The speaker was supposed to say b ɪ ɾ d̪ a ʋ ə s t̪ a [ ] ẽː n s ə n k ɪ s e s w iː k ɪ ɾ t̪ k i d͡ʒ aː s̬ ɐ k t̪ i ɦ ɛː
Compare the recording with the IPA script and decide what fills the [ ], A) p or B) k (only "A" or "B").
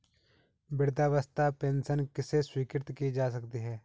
A